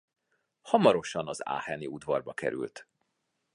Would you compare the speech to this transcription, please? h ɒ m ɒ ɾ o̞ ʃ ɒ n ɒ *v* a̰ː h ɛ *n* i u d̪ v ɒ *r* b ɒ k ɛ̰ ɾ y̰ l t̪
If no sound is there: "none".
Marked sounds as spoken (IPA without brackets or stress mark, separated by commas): z, n, r